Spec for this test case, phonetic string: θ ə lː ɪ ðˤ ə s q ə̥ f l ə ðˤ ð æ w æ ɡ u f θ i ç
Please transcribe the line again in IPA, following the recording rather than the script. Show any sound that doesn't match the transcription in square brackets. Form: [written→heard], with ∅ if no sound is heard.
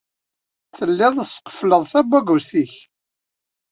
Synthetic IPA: θ ə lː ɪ ðˤ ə s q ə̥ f l ə ðˤ [ð→θ] æ [w→b] æ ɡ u [f→s] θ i ç